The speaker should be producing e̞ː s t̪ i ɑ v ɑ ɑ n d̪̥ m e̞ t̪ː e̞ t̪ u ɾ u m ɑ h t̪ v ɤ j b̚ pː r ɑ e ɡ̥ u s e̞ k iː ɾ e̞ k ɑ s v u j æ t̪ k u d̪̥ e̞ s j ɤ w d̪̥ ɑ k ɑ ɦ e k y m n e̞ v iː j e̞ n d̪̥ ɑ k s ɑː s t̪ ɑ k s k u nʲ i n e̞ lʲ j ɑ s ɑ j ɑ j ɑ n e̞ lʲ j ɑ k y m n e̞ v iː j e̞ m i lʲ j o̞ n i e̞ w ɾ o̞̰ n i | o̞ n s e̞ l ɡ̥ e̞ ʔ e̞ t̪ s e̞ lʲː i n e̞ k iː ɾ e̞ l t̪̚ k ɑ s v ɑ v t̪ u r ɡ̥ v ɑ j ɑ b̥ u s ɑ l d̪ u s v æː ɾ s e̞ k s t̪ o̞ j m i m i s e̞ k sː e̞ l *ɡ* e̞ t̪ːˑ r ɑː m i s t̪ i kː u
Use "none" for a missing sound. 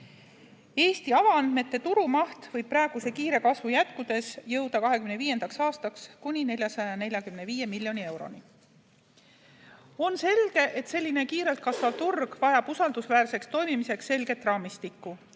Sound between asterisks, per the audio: ɡ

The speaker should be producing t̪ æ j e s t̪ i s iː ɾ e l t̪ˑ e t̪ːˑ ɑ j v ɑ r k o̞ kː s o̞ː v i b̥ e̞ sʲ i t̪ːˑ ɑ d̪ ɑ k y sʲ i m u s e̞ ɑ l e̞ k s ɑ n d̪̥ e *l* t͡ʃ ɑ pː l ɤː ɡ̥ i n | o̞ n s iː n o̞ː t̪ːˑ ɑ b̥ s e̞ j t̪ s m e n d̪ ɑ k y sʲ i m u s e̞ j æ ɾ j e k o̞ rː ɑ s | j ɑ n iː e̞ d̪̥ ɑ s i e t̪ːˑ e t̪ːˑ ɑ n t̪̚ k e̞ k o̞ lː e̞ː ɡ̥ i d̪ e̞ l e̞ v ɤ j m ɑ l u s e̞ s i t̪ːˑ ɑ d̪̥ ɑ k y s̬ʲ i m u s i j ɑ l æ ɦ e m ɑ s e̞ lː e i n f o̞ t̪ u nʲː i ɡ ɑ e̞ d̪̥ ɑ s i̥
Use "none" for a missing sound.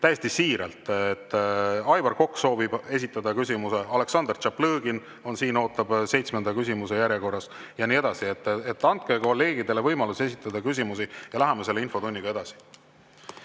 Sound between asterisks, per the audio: r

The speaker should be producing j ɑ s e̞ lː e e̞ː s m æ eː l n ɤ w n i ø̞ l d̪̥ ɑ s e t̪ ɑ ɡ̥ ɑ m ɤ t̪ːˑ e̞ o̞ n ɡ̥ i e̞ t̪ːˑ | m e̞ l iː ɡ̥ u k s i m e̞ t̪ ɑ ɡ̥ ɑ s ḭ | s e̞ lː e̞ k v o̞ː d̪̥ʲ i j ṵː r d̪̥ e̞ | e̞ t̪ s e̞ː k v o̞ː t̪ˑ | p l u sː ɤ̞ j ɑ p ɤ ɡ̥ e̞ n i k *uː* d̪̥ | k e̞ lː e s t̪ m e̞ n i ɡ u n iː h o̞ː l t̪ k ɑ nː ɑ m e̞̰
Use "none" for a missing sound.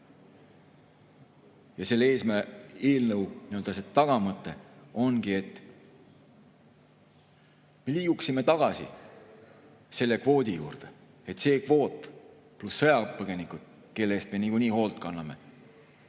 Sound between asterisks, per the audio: u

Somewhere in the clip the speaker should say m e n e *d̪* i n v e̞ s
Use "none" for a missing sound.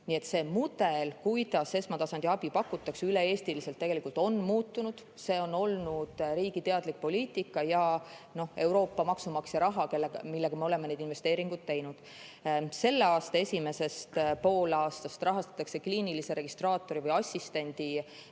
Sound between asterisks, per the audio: d̪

